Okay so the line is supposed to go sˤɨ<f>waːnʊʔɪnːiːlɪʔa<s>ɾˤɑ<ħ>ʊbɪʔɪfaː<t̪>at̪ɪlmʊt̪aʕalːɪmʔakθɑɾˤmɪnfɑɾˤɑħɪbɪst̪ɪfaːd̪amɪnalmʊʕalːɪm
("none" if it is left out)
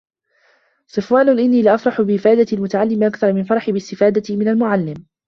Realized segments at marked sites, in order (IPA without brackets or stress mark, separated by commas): f, f, ħ, d̪